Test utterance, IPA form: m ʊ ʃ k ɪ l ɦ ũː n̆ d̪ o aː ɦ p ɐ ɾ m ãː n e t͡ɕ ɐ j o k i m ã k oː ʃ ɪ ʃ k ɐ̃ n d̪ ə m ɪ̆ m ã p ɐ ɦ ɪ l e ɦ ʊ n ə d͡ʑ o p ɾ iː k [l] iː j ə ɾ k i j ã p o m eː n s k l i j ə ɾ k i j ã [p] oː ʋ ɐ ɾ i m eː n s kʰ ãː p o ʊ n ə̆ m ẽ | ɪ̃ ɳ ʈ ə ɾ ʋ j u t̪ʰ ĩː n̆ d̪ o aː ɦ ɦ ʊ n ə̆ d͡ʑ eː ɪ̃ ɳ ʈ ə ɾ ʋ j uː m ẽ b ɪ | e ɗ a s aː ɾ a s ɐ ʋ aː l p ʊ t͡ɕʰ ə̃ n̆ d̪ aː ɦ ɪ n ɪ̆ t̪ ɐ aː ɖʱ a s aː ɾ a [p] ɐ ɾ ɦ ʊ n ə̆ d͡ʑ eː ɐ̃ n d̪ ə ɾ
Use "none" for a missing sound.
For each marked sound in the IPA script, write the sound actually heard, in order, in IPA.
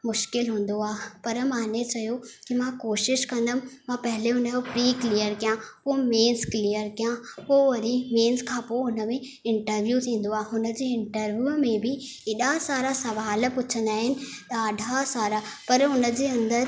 l, p, p

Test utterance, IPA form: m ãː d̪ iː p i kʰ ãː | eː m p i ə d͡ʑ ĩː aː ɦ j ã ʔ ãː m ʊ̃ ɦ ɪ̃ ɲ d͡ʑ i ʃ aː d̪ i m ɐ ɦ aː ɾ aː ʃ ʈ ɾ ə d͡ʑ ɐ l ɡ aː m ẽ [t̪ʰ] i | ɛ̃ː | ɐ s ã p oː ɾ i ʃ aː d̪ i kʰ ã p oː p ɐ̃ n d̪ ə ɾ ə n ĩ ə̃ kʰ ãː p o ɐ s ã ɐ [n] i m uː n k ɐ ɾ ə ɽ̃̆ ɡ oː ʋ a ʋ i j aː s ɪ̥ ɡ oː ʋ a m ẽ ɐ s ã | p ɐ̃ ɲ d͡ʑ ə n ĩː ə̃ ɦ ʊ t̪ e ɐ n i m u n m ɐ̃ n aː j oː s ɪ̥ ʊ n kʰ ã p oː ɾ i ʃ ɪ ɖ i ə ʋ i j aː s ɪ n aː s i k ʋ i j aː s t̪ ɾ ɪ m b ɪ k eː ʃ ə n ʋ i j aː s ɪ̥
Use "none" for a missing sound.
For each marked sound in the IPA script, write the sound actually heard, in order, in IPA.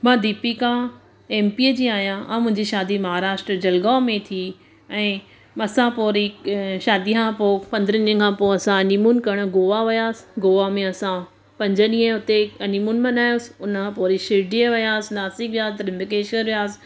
t̪ʰ, n

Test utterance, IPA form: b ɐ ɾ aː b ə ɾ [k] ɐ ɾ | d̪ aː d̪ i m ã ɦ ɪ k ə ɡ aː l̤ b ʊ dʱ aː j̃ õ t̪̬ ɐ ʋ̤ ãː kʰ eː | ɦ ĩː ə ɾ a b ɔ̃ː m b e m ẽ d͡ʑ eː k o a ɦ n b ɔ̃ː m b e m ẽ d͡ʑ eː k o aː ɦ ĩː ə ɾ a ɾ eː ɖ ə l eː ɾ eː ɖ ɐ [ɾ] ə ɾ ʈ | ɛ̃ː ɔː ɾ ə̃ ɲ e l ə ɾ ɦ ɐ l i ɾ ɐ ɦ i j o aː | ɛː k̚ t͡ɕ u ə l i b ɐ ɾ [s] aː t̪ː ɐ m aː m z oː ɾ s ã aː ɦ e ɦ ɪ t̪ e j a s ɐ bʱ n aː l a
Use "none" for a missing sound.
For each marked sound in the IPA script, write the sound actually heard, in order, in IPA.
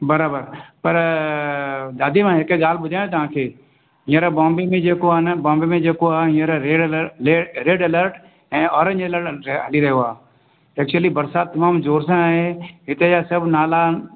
p, l, s

